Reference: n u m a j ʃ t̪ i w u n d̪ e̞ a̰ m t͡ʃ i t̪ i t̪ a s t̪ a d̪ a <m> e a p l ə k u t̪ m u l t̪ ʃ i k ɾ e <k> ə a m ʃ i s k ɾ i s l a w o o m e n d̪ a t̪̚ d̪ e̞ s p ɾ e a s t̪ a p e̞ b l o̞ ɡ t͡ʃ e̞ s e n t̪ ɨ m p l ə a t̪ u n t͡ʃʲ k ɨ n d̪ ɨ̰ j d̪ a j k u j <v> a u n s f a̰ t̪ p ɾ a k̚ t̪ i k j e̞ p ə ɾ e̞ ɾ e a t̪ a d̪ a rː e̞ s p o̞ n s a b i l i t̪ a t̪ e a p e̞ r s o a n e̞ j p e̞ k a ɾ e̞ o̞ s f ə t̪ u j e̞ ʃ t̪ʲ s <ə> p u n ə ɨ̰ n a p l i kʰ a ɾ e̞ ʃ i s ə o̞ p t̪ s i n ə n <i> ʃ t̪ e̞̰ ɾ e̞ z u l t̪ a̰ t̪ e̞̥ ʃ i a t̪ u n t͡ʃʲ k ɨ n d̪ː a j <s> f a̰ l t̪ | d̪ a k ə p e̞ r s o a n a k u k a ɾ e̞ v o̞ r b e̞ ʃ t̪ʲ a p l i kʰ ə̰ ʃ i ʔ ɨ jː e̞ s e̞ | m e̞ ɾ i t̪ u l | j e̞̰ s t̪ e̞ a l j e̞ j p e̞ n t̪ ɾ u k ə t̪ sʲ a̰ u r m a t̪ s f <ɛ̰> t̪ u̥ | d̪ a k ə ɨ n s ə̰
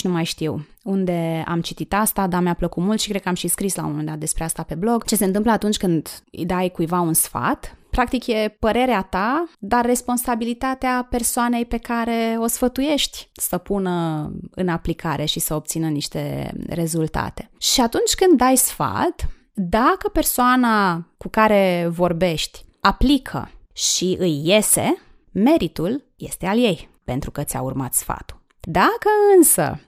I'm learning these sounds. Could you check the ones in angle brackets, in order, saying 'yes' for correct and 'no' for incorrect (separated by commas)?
yes, yes, yes, yes, yes, yes, no